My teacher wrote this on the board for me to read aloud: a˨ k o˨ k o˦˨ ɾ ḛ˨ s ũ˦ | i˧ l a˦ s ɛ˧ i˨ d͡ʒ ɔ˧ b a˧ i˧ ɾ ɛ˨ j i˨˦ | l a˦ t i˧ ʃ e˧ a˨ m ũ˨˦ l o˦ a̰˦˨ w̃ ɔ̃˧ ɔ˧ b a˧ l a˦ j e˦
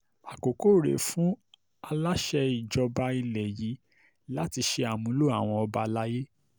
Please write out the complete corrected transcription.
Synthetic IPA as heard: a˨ k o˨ k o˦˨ ɾ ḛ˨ f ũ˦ | a˧ l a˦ ʃ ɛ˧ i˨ d͡ʒ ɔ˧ b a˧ i˧ l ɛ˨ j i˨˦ | l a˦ t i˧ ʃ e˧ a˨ m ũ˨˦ l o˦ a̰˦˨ w̃ ɔ̃˧ ɔ˧ b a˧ l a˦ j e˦